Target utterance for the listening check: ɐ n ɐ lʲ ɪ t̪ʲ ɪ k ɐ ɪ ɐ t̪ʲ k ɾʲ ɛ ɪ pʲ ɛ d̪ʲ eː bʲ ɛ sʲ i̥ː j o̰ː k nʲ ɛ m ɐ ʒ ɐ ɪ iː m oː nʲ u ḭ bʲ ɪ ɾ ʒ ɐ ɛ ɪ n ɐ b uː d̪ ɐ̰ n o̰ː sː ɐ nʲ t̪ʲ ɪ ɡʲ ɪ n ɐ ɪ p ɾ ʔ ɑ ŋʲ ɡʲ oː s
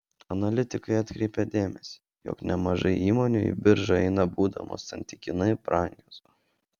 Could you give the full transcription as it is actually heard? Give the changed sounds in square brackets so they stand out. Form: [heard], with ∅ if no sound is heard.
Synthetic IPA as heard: ɐ n ɐ lʲ ɪ t̪ʲ ɪ k ɐ ɪ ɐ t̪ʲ k ɾʲ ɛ ɪ pʲ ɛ d̪ʲ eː [mʲ] ɛ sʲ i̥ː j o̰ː k nʲ ɛ m ɐ ʒ ɐ ɪ iː m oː nʲ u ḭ bʲ ɪ ɾ ʒ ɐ ɛ ɪ n ɐ b uː d̪ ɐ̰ [m] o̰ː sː ɐ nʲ t̪ʲ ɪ [kʲ] ɪ n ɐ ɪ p ɾ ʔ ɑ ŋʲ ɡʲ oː s